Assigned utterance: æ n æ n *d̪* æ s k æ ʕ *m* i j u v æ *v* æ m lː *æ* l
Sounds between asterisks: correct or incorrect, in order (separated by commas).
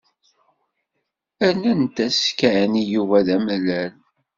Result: incorrect, incorrect, incorrect, correct